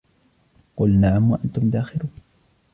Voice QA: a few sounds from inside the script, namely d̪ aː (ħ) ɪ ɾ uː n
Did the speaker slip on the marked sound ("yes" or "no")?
yes